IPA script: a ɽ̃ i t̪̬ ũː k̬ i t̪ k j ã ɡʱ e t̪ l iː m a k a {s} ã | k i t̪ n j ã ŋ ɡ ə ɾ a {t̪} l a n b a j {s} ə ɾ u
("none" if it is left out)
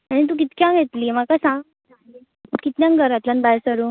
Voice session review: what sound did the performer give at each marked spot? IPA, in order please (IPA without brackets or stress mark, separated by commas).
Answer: s, t̪, s